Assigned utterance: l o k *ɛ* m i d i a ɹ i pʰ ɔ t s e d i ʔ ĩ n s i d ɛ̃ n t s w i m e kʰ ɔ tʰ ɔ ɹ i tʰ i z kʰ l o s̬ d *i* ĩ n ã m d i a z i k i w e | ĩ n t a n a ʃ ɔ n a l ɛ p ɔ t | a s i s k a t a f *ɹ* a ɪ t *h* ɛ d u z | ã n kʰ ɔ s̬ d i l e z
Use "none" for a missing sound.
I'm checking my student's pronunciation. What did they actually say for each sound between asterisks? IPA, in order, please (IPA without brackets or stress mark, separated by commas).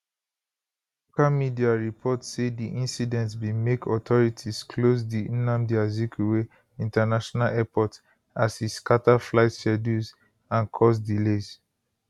a, i, l, ʃ